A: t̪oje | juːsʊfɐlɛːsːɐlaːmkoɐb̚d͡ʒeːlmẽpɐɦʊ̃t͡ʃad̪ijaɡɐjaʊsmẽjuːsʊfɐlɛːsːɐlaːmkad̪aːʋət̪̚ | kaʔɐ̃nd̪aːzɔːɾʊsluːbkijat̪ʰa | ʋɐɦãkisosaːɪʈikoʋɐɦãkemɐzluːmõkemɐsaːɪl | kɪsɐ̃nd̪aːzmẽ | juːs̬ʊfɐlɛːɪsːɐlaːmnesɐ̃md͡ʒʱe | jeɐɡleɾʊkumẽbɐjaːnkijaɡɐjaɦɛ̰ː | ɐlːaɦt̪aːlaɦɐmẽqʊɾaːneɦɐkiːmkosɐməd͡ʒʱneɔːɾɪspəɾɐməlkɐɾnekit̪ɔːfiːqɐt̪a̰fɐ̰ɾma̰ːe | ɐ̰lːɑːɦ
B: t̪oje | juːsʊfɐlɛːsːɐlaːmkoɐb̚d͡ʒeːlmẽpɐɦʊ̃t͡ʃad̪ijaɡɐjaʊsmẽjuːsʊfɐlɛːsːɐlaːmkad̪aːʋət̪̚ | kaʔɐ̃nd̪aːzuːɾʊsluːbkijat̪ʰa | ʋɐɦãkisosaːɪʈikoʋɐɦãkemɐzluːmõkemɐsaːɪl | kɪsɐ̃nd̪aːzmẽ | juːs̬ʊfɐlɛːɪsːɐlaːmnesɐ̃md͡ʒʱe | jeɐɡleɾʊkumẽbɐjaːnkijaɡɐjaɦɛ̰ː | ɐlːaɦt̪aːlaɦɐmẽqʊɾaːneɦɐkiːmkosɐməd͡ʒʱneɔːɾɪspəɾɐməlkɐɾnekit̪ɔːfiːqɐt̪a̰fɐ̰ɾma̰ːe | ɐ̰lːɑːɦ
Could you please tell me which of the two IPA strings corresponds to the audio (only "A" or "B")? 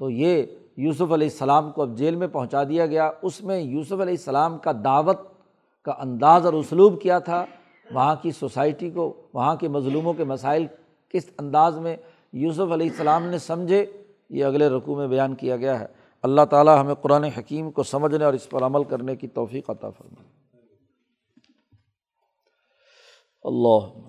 A